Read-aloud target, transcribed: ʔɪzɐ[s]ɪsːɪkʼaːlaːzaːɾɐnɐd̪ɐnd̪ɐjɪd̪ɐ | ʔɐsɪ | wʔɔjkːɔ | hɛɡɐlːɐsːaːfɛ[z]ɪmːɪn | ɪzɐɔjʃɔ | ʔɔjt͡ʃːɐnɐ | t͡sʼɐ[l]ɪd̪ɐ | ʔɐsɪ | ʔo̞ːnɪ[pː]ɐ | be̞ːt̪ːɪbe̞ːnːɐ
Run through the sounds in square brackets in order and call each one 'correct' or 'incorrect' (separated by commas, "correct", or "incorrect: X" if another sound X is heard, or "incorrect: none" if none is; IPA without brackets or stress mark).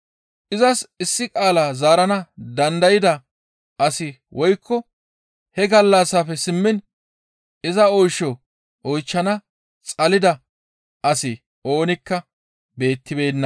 correct, incorrect: s, correct, incorrect: kː